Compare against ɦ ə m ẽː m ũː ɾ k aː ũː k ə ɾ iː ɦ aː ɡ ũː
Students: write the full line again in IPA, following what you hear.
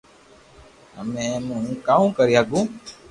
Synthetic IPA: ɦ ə m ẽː m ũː k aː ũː k ə ɾ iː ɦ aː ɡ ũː